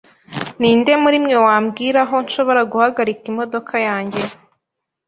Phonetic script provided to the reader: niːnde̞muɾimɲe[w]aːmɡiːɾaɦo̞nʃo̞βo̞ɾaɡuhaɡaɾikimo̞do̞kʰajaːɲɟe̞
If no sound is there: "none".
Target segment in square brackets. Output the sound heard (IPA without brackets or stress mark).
w